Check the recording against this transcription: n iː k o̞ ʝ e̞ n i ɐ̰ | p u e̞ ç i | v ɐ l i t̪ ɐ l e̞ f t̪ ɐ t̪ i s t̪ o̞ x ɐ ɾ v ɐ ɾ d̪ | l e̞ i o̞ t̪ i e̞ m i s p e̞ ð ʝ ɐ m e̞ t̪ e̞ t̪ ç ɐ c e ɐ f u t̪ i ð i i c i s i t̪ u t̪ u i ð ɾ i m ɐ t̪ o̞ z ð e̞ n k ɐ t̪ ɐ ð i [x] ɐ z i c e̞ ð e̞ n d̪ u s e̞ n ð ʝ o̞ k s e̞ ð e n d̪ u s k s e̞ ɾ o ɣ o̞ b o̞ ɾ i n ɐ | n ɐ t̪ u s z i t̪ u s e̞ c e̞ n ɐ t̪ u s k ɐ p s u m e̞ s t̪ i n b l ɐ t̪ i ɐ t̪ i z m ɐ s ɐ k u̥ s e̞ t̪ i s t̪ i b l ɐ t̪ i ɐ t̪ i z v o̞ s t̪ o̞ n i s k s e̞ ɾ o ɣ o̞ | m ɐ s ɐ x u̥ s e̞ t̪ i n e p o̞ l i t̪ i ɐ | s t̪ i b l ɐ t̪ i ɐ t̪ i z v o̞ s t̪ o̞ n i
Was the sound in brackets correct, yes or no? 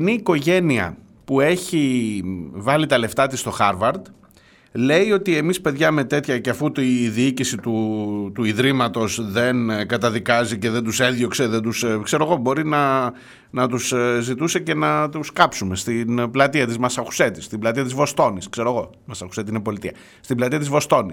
no